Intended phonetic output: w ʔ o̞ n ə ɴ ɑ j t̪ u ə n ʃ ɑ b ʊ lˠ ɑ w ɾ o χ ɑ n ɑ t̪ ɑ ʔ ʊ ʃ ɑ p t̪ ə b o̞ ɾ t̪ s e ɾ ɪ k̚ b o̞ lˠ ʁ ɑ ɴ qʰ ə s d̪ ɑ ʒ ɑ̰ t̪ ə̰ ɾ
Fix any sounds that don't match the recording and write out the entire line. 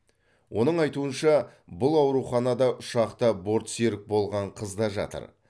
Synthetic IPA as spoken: w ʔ o̞ n ə ɴ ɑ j t̪ u ə n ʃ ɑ b ʊ lˠ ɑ w ɾ u χ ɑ n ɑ d̪ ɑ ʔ ʊ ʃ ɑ q t̪ ə b o̞ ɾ t̪ s e ɾ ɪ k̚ b o̞ lˠ ʁ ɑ ɴ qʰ ə z d̪ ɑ ʒ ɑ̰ t̪ ə̰ ɾ